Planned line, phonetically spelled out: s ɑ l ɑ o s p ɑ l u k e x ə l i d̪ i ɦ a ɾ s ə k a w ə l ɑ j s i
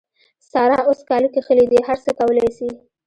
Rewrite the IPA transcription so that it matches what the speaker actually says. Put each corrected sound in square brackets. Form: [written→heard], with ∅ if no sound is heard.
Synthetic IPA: s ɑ [l→ɾ] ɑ o s [p→k] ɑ l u k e x ə l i d̪ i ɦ a ɾ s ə k a w ə l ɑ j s i